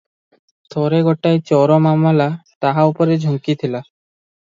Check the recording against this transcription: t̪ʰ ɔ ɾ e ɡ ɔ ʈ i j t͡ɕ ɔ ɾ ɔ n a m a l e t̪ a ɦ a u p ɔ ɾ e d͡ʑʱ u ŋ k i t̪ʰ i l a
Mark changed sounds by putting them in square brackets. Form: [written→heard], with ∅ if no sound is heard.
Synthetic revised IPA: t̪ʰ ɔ ɾ e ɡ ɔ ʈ [i→a] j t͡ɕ ɔ ɾ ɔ [n→m] a m a l [e→a] t̪ a ɦ a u p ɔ ɾ e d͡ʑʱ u ŋ k i t̪ʰ i l a

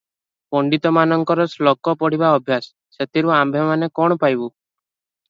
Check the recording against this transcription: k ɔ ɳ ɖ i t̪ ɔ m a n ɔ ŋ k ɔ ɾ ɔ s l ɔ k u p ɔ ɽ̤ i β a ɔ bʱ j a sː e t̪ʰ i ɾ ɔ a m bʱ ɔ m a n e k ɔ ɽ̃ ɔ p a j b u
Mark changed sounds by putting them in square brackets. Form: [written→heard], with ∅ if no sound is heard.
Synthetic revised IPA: [k→p] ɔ ɳ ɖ i t̪ ɔ m a n ɔ ŋ k ɔ ɾ ɔ s l ɔ k [u→ɔ] p ɔ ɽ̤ i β a ɔ bʱ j a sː e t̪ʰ i ɾ [ɔ→u] a m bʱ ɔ m a n e k ɔ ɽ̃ ɔ p a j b u

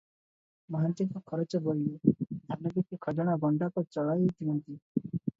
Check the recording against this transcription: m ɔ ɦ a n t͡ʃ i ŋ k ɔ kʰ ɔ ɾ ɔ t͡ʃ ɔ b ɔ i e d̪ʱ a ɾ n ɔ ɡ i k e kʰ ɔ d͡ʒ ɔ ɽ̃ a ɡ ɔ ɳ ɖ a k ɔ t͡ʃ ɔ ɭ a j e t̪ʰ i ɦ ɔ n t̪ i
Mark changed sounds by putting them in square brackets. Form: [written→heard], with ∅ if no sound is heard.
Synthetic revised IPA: m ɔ ɦ a n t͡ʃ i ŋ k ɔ kʰ ɔ ɾ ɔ t͡ʃ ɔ b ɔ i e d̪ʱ a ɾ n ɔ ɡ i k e kʰ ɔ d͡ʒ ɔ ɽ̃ a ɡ ɔ ɳ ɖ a k ɔ t͡ʃ ɔ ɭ a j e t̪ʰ i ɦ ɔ n t̪ i

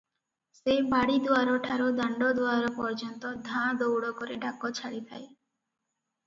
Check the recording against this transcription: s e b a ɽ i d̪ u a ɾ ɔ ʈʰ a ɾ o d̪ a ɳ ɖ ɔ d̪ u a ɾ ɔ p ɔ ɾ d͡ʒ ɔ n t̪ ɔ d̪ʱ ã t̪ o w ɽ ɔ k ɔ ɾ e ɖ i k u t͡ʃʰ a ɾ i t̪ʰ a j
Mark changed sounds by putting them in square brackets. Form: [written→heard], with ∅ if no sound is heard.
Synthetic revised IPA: s e b a ɽ i d̪ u a ɾ ɔ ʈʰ a ɾ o d̪ a ɳ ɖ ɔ d̪ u a ɾ ɔ p ɔ ɾ d͡ʒ ɔ n t̪ ɔ d̪ʱ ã [t̪→d̪] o w ɽ ɔ k ɔ ɾ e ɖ [i→a] k [u→ɔ] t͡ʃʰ a [ɾ→ɽ] i t̪ʰ a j

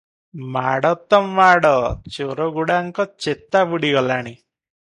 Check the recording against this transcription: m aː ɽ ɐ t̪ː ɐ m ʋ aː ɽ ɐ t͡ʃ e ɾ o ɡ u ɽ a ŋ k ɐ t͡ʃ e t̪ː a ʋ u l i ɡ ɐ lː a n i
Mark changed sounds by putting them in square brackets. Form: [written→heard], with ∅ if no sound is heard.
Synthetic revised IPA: m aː ɽ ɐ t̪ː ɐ m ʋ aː ɽ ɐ t͡ʃ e ɾ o ɡ u ɽ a ŋ k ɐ t͡ʃ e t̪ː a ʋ u [l→ɽ] i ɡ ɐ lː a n i

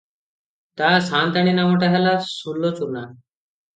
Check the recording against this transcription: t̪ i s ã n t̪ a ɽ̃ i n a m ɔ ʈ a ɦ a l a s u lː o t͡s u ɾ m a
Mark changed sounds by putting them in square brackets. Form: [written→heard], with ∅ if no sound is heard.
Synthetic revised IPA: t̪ [i→a] s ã n t̪ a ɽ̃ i n a m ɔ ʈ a ɦ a l a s u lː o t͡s u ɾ [m→n] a

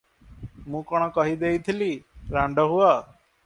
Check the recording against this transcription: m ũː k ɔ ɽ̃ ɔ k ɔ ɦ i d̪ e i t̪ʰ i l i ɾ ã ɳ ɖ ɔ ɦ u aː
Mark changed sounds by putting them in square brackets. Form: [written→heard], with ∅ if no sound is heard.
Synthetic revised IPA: m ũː k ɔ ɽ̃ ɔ k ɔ ɦ i d̪ e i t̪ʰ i l i ɾ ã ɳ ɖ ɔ ɦ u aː

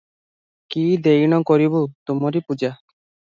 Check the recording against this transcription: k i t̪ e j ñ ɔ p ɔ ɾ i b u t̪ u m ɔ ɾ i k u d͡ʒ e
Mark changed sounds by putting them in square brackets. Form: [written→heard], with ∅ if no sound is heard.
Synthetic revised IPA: k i [t̪→d̪] e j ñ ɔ [p→k] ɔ ɾ i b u t̪ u m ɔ ɾ i [k→p] u d͡ʒ [e→a]

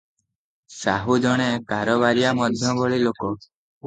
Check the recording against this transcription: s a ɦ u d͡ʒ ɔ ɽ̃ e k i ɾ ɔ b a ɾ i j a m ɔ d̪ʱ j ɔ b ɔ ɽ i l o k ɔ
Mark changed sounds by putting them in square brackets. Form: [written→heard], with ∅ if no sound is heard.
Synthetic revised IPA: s a ɦ u d͡ʒ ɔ ɽ̃ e k [i→a] ɾ ɔ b a ɾ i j a m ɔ d̪ʱ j ɔ b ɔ [ɽ→ɭ] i l o k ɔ

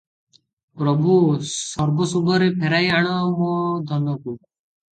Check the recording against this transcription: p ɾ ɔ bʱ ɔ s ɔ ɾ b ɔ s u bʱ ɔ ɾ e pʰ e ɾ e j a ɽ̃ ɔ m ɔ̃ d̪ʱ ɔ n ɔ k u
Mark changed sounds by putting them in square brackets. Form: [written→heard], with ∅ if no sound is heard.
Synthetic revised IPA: p ɾ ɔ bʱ [ɔ→u] s ɔ ɾ b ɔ s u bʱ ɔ ɾ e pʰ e ɾ [e→a] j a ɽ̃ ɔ m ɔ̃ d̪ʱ ɔ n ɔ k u

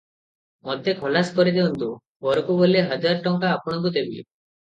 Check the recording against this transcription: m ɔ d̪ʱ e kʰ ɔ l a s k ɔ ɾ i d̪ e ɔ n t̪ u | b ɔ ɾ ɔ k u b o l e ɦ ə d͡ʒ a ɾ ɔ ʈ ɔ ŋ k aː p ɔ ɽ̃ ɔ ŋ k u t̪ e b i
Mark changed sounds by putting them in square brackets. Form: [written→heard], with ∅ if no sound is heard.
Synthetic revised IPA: m ɔ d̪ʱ e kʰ ɔ l a s k ɔ ɾ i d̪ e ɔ n t̪ u | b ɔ ɾ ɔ k u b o l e ɦ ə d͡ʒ a ɾ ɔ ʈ ɔ ŋ k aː p ɔ ɽ̃ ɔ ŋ k u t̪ e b i

